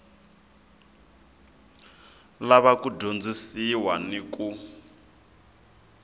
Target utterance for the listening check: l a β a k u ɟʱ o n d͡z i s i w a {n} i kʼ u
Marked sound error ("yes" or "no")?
no